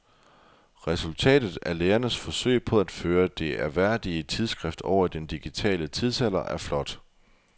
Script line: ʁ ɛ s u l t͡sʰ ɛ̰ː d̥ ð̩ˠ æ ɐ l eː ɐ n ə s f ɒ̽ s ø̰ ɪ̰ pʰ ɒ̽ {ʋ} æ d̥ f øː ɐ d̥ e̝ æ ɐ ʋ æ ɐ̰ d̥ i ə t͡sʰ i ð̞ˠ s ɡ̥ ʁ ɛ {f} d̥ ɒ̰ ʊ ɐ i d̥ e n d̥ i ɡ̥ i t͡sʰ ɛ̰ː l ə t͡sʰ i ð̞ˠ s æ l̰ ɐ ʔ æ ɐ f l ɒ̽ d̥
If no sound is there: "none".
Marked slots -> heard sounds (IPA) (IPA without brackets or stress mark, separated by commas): none, f